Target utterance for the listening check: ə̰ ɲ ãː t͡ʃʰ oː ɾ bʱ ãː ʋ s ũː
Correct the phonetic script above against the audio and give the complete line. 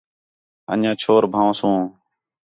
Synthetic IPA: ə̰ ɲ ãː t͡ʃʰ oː ɾ bʱ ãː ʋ s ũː